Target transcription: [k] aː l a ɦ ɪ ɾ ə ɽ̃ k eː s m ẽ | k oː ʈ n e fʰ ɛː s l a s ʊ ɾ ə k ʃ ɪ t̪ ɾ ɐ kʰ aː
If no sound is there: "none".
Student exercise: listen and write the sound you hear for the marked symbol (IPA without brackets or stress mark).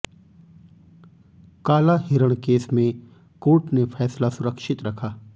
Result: k